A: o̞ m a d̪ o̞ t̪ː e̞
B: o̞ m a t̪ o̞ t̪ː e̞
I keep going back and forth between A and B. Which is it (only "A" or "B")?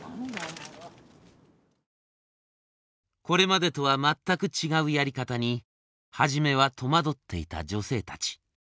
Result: A